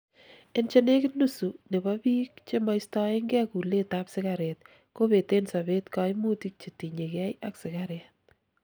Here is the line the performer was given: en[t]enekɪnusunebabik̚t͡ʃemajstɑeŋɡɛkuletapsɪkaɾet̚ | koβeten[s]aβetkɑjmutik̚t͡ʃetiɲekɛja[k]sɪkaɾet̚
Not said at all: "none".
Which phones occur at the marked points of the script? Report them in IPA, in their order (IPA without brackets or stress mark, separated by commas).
t͡ʃ, s, k